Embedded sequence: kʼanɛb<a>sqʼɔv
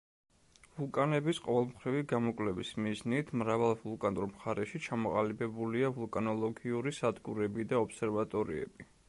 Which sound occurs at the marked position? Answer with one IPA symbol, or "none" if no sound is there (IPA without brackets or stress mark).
i